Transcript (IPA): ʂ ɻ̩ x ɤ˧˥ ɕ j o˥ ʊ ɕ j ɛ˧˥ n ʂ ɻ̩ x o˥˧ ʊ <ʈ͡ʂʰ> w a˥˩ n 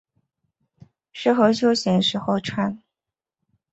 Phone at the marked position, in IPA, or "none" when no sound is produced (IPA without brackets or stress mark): ʈ͡ʂʰ